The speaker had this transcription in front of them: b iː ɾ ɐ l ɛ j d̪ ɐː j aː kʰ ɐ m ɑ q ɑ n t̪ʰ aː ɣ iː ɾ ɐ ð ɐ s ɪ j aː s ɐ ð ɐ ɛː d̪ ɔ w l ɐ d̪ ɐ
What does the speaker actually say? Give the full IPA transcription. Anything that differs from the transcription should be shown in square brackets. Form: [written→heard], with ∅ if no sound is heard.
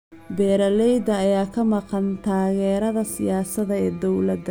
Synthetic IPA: b [iː→ɛː] ɾ ɐ l ɛ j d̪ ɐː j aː kʰ ɐ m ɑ q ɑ n t̪ʰ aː ɣ [iː→ɛː] ɾ ɐ ð ɐ s ɪ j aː s ɐ ð ɐ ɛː d̪ ɔ w l ɐ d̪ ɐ

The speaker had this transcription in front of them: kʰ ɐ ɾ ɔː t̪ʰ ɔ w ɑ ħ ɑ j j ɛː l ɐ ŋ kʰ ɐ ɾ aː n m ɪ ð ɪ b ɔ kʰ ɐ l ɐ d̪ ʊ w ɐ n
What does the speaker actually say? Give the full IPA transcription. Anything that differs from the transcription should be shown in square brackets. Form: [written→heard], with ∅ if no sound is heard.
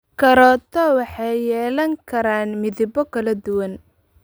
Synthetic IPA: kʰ ɐ ɾ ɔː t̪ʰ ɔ w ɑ ħ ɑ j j ɛː l ɐ ŋ kʰ ɐ ɾ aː n m ɪ ð ɪ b ɔ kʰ ɐ l ɐ d̪ ʊ w ɐ n

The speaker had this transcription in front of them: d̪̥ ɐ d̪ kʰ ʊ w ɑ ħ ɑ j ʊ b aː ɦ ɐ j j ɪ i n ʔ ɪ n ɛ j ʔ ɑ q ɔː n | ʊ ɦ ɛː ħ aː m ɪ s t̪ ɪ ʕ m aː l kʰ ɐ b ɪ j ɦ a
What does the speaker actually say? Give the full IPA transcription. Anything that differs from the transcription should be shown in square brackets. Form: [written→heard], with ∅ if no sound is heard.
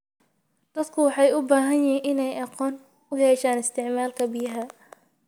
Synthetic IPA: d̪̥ ɐ d̪ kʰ ʊ w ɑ ħ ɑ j ʊ b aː ɦ ɐ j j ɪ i n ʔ ɪ n ɛ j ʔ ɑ q ɔː n | ʊ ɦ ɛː [ħ→ʃ] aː [m→n] ɪ s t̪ ɪ ʕ m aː l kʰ ɐ b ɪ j ɦ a

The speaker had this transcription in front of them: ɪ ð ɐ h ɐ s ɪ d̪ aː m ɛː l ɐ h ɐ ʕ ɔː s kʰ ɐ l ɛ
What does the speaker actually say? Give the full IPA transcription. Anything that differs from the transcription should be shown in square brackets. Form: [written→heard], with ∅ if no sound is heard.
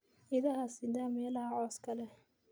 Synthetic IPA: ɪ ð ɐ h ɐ s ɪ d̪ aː m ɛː l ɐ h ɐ ʕ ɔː s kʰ ɐ l ɛ

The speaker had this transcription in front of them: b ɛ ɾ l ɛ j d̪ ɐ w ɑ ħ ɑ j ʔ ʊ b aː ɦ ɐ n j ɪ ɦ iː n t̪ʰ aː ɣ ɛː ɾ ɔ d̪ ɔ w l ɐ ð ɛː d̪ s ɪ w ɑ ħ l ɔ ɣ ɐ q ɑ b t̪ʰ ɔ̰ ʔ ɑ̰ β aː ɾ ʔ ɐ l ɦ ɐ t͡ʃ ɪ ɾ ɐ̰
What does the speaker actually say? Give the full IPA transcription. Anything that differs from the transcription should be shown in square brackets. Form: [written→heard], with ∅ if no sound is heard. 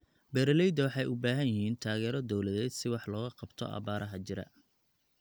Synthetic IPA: b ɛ ɾ l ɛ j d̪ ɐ w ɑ ħ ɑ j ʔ ʊ b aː ɦ ɐ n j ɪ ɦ iː n t̪ʰ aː ɣ ɛː ɾ ɔ d̪ ɔ w l ɐ ð ɛː d̪ s ɪ w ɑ ħ l [ɔ→ɔː] ɣ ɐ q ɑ b t̪ʰ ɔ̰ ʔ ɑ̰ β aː ɾ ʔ ɐ [l→∅] ɦ ɐ t͡ʃ ɪ ɾ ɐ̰

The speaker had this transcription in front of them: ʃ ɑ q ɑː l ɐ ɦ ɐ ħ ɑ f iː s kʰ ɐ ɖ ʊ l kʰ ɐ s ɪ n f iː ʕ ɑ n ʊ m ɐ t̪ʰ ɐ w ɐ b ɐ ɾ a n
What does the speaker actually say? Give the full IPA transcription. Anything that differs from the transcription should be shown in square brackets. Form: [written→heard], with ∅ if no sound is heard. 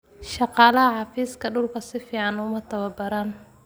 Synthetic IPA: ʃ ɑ q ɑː l ɐ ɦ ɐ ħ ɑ f iː s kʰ ɐ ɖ ʊ l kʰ ɐ s ɪ [n→∅] f iː ʕ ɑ n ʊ m ɐ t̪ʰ ɐ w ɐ b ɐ ɾ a n

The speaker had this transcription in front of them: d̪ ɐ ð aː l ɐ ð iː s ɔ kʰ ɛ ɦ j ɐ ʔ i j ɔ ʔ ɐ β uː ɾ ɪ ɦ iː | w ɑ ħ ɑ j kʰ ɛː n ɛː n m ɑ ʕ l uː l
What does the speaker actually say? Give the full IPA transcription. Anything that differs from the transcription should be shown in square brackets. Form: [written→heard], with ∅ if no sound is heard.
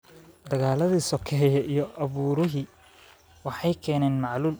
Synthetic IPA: d̪ ɐ [ð→ɣ] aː l ɐ ð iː s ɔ kʰ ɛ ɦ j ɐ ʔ i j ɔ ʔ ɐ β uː ɾ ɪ ɦ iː | w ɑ ħ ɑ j kʰ ɛː n ɛː n m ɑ ʕ l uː l

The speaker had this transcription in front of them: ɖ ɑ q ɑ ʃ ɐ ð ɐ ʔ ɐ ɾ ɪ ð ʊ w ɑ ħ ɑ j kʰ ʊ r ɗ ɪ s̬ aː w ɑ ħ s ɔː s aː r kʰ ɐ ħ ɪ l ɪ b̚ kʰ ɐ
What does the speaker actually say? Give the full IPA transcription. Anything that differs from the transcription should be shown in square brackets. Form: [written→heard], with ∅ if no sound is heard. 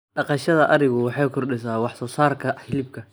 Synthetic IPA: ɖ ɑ q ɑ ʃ ɐ ð ɐ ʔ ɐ ɾ ɪ [ð→ɣ] ʊ w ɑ ħ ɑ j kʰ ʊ r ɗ ɪ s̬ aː w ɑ ħ s ɔː s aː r kʰ ɐ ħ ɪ l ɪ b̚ kʰ ɐ

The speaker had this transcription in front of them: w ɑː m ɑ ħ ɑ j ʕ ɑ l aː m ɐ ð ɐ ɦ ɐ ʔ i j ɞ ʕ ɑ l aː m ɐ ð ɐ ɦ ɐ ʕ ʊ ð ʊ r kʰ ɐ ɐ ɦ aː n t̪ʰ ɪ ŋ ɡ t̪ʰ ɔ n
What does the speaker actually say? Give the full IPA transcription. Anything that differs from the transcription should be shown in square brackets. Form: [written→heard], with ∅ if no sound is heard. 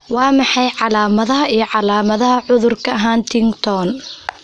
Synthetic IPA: w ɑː m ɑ ħ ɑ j ʕ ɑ l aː m ɐ ð ɐ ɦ ɐ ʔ i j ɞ ʕ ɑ l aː m ɐ ð ɐ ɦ ɐ ʕ ʊ ð ʊ r kʰ ɐ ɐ ɦ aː n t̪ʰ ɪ ŋ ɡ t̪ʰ ɔ n

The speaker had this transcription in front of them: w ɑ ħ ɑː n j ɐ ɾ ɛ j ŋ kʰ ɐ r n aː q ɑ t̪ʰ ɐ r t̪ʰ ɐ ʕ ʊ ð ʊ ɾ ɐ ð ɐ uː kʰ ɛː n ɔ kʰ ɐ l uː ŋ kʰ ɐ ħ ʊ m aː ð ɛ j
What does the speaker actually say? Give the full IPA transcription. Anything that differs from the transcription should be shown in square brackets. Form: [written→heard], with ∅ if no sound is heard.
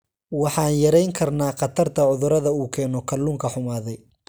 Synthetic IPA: w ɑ ħ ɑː n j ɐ ɾ ɛ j ŋ kʰ ɐ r n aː q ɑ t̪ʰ ɐ r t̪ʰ ɐ ʕ ʊ ð ʊ ɾ ɐ ð ɐ uː kʰ ɛː n ɔ kʰ ɐ l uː ŋ kʰ ɐ ħ ʊ m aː ð ɛ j

